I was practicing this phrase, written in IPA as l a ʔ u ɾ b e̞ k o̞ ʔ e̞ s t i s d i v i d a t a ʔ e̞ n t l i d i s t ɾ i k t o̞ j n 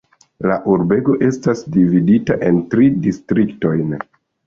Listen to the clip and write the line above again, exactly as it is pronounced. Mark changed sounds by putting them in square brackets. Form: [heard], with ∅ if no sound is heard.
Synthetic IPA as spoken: l a ʔ u ɾ b e̞ [ɡ] o̞ ʔ e̞ s t [a] s d i v i d [i] t a ʔ e̞ n t [ɾ] i d i s t ɾ i k t o̞ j n